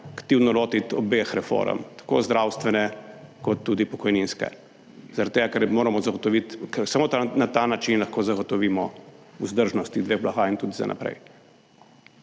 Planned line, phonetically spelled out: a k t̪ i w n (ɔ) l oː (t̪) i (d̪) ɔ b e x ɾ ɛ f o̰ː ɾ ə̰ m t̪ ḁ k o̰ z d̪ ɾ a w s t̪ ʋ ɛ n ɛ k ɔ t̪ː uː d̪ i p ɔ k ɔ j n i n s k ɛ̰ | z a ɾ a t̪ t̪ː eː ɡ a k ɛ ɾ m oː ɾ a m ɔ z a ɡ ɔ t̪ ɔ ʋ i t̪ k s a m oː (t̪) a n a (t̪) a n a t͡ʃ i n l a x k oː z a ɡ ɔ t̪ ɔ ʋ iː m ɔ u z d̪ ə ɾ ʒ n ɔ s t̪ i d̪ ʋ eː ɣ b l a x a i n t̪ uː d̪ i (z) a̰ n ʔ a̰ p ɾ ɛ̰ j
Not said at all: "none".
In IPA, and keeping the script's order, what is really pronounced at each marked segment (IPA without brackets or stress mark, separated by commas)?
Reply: ɔ, t̪, t̪, t̪, t̪, z